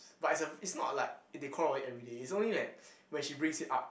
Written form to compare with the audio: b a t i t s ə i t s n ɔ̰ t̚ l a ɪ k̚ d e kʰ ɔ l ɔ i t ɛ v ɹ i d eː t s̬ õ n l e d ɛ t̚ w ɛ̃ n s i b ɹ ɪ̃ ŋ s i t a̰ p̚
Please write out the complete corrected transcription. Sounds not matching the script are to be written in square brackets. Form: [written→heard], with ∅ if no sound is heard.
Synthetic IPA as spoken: b a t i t s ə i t s n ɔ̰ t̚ l a ɪ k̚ d e kʰ ɔ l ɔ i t ɛ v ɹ i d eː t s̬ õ n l [e→i] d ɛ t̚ w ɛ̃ n [s→ʃ] i b ɹ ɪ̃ ŋ s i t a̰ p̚